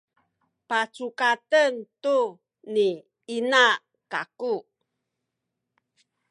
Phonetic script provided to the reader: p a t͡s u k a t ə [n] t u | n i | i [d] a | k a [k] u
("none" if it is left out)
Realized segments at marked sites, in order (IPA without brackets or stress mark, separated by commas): n, n, k